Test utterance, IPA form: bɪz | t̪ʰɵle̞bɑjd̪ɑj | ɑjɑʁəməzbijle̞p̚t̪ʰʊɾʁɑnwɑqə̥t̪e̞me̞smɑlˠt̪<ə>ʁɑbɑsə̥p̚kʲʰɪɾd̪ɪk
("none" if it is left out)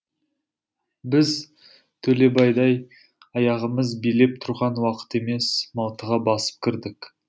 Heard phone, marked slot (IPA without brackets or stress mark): ə